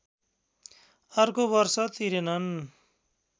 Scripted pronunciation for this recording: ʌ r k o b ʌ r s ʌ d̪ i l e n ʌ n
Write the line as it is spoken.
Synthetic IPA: ʌ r k o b ʌ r s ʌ t̪ i ɾ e n ʌ n